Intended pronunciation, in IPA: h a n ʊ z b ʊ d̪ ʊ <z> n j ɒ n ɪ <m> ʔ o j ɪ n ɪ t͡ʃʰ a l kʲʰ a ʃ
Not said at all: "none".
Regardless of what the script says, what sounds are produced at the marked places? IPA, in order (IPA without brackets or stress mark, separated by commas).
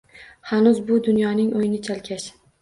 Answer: none, ŋ